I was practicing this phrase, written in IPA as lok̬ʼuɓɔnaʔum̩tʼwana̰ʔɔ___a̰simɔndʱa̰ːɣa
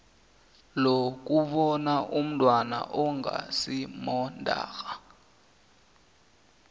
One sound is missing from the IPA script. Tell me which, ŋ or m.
ŋ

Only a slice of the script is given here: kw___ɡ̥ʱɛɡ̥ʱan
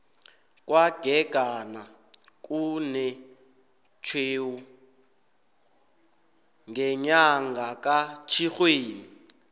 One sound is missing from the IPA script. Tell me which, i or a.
a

